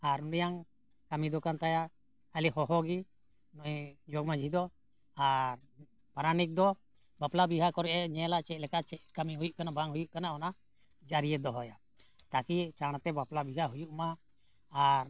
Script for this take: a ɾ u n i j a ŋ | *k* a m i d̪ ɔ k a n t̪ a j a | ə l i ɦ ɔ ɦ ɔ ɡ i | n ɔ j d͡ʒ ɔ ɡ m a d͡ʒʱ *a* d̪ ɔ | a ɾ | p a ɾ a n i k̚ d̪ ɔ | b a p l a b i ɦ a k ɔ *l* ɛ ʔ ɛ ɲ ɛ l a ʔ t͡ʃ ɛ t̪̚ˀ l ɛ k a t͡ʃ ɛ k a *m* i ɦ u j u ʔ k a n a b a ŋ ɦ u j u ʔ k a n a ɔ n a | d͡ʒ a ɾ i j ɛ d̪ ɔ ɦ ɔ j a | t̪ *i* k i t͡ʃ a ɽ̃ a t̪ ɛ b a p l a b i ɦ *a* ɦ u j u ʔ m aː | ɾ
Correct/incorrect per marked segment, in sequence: correct, incorrect: i, incorrect: ɾ, correct, incorrect: a, correct

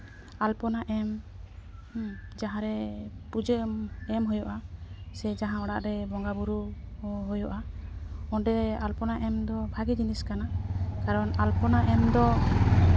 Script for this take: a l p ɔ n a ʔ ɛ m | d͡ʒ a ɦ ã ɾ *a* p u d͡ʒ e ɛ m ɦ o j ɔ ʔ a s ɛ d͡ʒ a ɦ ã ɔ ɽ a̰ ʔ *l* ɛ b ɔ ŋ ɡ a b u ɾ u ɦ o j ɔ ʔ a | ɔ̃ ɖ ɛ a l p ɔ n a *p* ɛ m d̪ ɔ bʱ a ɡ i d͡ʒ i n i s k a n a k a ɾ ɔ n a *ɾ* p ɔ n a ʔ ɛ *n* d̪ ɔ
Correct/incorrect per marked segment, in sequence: incorrect: ɛ, incorrect: ɾ, incorrect: ʔ, incorrect: l, incorrect: m

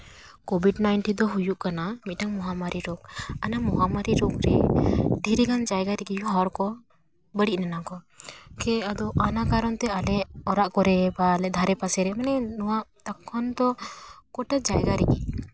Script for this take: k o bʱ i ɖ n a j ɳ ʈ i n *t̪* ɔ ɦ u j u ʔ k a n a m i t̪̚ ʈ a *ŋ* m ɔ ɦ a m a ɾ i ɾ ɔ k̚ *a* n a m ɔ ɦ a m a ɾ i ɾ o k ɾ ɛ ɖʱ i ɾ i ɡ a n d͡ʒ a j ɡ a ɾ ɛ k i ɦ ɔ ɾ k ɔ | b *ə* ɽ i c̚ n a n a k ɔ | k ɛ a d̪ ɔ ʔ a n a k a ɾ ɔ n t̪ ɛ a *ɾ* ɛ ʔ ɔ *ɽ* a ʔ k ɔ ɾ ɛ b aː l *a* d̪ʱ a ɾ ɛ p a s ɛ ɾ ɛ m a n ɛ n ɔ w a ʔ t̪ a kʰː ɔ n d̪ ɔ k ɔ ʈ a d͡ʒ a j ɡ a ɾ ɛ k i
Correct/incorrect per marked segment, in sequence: incorrect: d̪, correct, correct, correct, incorrect: l, incorrect: ɾ, incorrect: ɛ

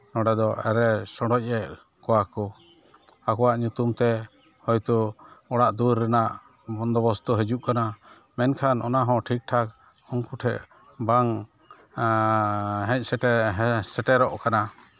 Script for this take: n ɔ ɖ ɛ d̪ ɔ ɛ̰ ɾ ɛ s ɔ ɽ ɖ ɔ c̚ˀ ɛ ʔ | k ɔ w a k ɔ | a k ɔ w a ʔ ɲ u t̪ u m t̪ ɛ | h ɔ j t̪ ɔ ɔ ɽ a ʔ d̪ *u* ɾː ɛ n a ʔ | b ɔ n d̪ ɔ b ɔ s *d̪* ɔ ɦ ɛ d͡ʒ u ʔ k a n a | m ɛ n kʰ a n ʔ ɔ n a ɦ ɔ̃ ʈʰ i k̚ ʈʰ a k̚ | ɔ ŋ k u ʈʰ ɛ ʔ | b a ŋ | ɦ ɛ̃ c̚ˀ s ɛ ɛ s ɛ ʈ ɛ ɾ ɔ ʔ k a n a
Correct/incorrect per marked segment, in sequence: correct, incorrect: t̪

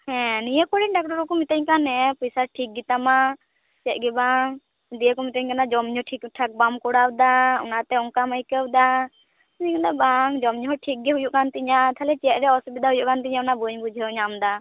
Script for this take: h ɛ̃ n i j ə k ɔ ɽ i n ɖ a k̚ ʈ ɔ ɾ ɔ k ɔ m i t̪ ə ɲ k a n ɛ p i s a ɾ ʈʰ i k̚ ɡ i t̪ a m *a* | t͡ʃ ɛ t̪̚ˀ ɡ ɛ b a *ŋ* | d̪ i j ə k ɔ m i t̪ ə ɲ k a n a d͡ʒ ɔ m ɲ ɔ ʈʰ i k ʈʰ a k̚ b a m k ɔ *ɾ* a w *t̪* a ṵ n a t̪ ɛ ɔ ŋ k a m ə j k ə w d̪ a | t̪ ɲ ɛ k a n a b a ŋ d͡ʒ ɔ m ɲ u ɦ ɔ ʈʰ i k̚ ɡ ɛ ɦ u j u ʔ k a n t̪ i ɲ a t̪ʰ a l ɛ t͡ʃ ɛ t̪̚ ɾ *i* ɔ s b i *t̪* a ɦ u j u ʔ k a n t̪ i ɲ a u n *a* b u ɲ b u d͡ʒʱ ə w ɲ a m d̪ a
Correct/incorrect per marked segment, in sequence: correct, correct, incorrect: ɽ, incorrect: d̪, incorrect: ɛ, incorrect: d̪, correct

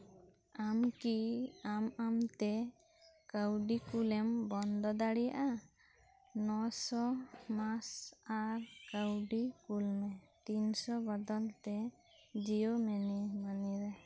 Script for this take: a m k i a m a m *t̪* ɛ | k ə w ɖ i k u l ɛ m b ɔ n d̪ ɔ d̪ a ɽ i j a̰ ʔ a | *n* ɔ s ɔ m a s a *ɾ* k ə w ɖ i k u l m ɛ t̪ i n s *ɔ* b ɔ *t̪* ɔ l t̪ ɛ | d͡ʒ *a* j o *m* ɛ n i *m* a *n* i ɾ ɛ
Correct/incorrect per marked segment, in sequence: correct, correct, correct, correct, incorrect: d̪, incorrect: i, correct, correct, correct

